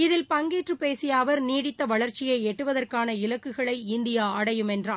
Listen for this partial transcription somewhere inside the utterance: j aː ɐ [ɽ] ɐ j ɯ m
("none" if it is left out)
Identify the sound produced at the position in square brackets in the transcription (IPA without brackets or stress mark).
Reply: ɽ